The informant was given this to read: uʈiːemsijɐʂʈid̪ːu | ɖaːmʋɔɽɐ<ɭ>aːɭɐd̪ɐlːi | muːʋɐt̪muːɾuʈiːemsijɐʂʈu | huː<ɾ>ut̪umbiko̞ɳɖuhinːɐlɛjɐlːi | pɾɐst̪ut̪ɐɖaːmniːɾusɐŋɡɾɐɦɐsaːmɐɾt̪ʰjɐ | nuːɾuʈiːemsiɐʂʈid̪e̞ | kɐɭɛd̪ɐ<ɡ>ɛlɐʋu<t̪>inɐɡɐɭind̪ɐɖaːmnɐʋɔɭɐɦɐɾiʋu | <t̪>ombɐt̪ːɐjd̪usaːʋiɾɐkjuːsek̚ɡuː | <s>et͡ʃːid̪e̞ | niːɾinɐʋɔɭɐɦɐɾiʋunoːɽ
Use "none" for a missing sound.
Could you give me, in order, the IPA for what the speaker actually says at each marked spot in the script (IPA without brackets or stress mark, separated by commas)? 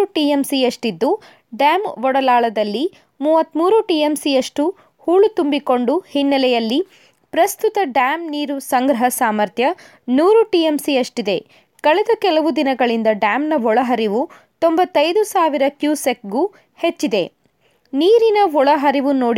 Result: l, ɭ, k, d̪, t̪, h